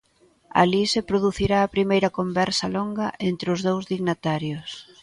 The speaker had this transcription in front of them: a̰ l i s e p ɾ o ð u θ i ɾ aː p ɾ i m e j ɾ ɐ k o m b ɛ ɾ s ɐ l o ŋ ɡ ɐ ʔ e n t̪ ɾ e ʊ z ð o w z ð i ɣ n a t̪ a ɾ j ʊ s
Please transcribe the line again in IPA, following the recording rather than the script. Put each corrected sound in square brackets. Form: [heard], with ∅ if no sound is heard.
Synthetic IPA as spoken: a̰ l i s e p ɾ o ð u θ i ɾ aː p ɾ i m e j ɾ ɐ k o m b ɛ ɾ s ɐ l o ŋ ɡ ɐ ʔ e n t̪ ɾ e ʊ z ð o w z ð i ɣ n a t̪ a ɾ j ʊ s